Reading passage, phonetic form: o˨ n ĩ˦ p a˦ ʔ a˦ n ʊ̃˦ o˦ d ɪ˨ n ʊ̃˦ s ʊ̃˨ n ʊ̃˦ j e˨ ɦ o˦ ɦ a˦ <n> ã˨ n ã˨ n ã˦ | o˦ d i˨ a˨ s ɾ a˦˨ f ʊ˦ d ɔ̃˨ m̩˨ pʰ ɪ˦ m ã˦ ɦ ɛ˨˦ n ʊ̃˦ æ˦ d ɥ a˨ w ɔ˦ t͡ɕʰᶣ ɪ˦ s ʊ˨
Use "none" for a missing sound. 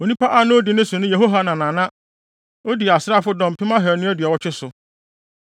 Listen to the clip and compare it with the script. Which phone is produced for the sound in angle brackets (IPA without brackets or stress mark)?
n